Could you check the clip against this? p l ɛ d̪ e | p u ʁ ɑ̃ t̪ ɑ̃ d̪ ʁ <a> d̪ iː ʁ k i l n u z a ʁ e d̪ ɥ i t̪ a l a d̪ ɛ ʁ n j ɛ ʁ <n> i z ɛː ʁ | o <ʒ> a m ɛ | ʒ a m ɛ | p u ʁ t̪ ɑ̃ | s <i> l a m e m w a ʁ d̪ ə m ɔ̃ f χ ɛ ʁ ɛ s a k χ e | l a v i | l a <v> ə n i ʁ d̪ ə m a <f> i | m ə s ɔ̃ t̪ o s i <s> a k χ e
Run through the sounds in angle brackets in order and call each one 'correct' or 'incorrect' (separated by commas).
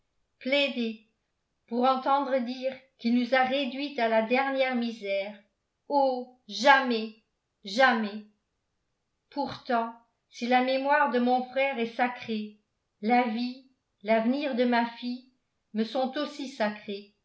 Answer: incorrect, incorrect, correct, correct, correct, correct, correct